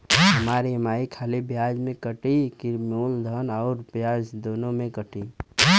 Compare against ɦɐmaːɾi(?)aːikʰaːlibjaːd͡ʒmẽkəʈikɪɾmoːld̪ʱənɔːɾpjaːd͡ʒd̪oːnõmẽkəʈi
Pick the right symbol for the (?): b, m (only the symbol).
m